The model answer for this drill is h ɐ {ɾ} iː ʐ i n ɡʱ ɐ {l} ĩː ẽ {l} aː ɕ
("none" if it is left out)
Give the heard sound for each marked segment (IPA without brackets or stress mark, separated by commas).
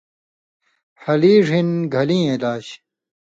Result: l, l, l